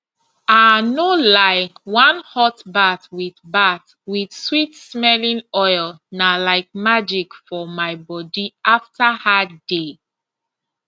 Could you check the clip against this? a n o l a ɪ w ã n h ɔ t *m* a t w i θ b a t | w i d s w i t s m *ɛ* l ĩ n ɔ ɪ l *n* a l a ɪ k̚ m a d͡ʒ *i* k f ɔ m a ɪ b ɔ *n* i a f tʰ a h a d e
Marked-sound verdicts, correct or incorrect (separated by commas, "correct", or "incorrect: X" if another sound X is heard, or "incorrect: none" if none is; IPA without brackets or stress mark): incorrect: b, correct, correct, correct, incorrect: d